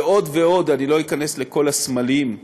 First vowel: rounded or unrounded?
rounded